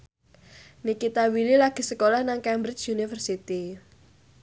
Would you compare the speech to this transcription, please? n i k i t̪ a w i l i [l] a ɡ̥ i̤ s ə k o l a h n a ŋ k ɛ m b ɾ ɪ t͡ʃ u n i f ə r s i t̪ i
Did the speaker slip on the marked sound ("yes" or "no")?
no